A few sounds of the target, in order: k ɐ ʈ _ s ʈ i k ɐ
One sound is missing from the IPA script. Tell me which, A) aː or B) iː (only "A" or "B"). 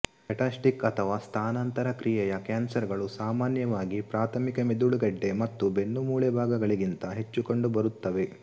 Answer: A